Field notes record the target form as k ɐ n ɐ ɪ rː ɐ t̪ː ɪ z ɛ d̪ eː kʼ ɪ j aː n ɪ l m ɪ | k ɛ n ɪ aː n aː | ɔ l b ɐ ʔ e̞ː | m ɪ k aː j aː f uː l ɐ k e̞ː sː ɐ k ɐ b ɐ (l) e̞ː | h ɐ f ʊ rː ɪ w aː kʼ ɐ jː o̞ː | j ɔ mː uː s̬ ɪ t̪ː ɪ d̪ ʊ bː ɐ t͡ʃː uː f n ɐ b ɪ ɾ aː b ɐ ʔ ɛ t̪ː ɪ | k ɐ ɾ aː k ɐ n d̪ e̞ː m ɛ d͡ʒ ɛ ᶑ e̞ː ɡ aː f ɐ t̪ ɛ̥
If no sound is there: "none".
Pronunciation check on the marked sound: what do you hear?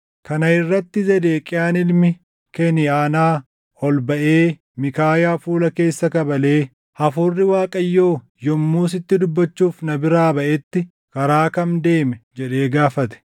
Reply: l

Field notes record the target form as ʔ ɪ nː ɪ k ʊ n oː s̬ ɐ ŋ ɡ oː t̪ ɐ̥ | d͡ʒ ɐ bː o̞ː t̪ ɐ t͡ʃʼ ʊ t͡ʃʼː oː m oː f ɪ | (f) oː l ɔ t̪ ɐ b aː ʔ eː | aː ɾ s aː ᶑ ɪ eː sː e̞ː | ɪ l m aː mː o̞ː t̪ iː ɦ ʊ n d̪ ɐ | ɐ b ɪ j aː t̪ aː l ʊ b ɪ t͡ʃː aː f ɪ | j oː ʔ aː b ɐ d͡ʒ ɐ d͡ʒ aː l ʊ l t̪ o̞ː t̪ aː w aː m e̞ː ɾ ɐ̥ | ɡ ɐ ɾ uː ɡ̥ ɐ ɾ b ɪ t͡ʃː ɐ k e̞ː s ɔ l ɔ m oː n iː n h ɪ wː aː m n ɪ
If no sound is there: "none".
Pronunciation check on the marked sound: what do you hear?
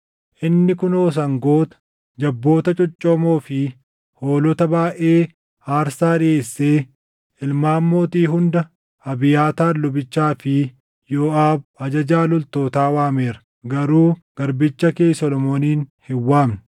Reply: h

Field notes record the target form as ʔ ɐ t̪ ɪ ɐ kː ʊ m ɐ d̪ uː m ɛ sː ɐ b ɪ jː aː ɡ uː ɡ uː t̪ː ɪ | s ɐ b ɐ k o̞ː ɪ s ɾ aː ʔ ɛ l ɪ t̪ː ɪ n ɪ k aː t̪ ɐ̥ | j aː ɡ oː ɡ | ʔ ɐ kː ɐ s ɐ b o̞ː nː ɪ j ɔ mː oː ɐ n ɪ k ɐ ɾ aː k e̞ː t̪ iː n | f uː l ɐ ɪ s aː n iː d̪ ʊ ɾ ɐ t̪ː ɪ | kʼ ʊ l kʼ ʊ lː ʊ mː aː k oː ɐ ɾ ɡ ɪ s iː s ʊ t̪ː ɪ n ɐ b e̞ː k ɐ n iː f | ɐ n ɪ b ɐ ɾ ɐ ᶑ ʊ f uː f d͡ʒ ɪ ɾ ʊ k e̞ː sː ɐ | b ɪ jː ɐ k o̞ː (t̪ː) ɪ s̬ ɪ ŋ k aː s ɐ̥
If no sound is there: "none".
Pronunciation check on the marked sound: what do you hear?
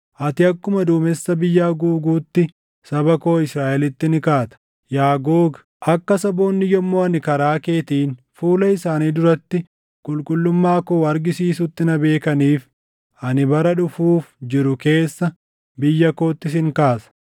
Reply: t̪ː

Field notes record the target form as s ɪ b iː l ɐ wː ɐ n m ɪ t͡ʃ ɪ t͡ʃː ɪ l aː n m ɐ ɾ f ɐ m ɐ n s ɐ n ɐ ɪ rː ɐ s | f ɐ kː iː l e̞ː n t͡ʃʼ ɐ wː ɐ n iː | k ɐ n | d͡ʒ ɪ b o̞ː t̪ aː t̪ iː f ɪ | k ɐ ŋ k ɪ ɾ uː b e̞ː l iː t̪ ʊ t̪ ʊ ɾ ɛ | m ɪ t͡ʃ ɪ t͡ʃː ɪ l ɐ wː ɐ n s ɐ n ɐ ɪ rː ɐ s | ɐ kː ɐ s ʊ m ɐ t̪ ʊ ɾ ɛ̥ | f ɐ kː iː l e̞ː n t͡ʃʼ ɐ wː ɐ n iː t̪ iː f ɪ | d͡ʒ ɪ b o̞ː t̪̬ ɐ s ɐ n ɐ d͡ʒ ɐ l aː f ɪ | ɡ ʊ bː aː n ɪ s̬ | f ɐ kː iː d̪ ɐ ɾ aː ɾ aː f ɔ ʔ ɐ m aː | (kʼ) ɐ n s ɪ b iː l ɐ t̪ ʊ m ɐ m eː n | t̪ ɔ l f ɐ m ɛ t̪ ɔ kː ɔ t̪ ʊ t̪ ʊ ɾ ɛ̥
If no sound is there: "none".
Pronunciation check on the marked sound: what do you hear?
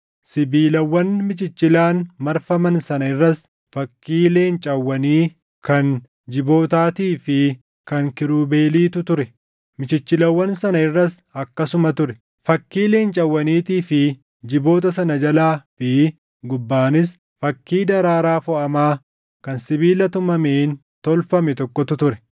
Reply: k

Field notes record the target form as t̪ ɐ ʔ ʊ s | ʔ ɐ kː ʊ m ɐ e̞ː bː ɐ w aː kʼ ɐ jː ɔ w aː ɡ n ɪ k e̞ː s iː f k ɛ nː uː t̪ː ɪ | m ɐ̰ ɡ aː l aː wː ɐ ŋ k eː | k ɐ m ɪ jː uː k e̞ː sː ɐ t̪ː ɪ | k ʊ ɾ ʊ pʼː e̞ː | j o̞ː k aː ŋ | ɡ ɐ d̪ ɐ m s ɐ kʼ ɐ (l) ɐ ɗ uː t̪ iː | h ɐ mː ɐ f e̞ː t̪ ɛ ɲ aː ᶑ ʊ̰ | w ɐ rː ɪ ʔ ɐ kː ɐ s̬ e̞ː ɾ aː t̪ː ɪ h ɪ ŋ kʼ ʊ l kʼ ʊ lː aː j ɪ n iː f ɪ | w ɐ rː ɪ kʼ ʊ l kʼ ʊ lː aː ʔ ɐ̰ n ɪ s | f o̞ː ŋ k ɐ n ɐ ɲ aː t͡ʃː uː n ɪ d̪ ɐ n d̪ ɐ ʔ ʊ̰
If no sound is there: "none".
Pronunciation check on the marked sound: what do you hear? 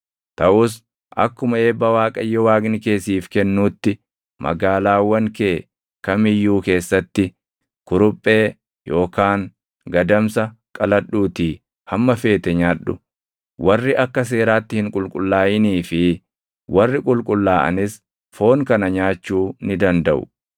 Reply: l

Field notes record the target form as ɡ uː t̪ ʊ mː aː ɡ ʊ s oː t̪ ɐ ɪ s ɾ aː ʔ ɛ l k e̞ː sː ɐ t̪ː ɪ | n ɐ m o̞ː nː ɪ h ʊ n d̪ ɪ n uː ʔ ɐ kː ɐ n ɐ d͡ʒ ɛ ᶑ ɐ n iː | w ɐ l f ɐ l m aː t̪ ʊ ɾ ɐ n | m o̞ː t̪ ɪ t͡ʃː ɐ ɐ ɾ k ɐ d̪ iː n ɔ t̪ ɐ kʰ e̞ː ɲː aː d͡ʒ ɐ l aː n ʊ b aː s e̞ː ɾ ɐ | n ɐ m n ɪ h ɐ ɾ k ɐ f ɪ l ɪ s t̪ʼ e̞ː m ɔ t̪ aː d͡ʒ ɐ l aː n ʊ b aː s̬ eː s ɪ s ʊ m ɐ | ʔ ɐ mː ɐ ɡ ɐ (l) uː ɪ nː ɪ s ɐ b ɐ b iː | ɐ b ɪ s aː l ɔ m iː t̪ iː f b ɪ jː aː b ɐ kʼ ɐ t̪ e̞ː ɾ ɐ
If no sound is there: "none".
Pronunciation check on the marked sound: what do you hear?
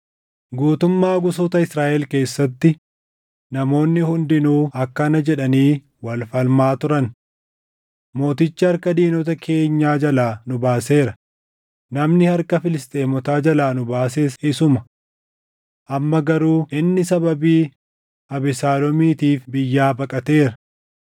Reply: ɾ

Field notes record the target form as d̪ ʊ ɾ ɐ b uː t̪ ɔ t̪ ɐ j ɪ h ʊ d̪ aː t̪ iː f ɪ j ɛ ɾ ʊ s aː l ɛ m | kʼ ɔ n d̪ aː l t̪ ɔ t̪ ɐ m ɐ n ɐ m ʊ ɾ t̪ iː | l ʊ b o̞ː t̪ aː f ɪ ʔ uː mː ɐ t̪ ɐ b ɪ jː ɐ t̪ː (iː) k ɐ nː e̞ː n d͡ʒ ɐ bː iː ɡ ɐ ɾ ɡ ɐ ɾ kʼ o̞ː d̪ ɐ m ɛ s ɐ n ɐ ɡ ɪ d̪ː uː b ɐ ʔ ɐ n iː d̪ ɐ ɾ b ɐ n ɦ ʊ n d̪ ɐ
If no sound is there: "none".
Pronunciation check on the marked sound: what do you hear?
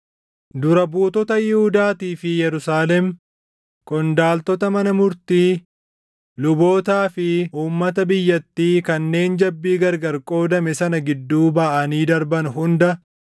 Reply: iː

